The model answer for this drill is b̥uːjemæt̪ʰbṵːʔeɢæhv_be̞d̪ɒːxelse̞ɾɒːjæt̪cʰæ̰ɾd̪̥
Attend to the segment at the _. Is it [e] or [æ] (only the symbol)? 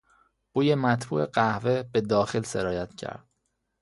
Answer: e